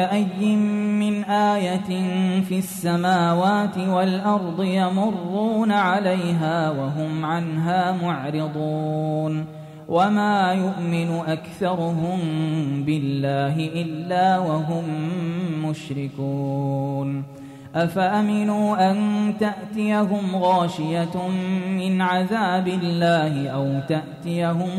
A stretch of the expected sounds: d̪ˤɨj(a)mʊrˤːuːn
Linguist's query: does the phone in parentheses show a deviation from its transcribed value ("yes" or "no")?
no